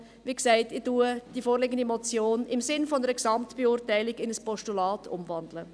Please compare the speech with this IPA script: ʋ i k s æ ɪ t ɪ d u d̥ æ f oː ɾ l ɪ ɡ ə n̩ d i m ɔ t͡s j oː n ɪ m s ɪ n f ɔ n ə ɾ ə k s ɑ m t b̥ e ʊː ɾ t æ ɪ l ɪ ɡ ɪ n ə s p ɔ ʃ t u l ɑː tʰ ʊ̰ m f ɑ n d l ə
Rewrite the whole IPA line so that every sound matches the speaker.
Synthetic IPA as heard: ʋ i k s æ ɪ t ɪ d u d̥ i f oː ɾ l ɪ ɡ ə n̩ d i m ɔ t͡s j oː n ɪ m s ɪ n f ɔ n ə ɾ ə k s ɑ m t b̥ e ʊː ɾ t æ ɪ l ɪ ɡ ɪ n ə s p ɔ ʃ t u l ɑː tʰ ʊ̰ m v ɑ n d l ə